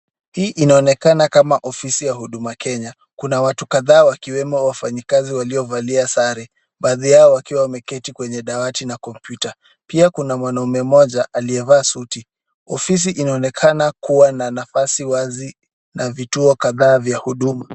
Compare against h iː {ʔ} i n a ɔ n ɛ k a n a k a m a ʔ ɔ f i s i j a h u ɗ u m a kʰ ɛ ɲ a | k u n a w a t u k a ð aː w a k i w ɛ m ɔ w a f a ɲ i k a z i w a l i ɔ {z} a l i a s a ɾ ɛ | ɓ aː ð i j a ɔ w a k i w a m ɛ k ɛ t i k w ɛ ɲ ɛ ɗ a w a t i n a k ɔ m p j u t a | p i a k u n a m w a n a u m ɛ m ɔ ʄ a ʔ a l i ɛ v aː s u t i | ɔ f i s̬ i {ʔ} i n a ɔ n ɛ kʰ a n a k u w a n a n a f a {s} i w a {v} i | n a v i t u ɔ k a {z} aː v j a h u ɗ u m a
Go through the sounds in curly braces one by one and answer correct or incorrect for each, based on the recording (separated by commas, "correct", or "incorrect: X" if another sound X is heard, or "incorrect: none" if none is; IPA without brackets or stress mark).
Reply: correct, incorrect: v, correct, correct, incorrect: z, incorrect: ð